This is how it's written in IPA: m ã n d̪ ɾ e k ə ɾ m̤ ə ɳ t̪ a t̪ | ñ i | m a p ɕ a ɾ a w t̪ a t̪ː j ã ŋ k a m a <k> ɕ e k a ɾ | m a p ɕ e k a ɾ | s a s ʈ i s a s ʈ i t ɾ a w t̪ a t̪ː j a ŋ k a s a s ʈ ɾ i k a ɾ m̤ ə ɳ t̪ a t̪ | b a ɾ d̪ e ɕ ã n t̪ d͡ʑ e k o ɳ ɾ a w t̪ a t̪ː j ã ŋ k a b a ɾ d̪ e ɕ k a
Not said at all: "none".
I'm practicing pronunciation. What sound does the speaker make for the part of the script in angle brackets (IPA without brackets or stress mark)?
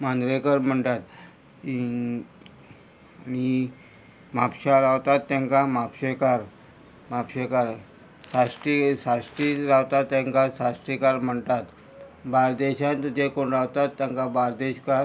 p